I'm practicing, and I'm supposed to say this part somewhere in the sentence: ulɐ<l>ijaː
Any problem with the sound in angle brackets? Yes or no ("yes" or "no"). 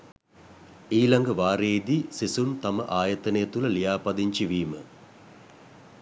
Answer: no